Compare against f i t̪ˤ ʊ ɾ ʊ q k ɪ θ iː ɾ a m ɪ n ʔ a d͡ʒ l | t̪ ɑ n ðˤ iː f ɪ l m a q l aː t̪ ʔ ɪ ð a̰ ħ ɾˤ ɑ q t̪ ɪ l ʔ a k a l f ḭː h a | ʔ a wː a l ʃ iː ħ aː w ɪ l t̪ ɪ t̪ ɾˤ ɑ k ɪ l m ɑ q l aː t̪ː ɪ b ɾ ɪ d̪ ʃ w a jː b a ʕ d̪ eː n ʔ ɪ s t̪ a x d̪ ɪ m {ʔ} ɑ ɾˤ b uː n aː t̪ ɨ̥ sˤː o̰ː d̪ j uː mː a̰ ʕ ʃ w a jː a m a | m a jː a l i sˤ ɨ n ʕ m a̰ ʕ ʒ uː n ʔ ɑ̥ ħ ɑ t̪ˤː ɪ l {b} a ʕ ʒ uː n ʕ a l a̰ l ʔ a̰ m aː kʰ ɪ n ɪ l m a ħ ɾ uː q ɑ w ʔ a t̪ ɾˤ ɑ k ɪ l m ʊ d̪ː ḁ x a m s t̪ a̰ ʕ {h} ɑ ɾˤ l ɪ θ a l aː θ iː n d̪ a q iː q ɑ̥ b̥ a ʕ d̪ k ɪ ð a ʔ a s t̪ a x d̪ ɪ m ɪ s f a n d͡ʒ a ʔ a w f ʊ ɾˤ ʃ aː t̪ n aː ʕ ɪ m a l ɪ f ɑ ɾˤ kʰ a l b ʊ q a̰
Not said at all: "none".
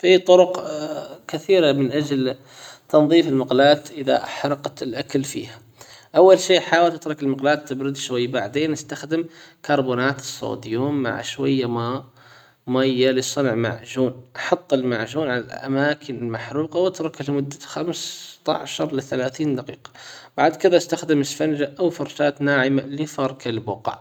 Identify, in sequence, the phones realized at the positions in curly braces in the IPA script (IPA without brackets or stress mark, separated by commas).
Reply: k, m, ʃ